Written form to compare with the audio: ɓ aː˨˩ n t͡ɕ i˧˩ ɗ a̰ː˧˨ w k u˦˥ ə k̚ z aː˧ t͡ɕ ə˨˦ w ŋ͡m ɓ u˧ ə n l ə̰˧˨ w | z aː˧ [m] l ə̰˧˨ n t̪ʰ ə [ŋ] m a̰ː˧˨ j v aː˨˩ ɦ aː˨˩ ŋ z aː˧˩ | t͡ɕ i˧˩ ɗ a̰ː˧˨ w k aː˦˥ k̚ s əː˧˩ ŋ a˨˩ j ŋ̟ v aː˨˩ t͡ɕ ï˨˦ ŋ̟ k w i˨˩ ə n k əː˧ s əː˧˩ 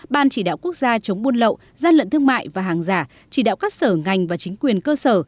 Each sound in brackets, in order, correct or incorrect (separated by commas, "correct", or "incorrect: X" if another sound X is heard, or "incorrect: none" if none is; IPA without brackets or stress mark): incorrect: n, correct